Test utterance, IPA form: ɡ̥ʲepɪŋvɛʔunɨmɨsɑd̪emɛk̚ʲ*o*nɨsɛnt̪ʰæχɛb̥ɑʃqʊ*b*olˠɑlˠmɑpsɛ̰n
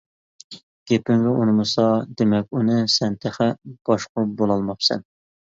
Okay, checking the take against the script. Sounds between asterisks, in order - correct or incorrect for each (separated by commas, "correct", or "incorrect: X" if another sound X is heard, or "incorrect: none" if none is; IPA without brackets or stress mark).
incorrect: u, correct